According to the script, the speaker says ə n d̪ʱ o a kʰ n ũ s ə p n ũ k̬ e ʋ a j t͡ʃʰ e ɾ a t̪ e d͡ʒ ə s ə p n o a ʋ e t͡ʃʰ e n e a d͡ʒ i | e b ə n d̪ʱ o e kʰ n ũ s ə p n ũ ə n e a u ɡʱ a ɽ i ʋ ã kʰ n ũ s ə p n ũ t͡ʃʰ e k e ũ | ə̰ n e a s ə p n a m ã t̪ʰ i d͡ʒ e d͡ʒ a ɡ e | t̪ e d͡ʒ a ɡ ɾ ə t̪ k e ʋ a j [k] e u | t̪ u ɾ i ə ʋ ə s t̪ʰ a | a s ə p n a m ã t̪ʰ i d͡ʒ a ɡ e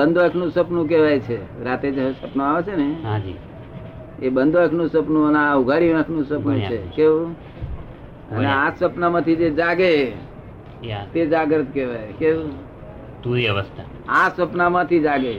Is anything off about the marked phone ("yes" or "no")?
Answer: no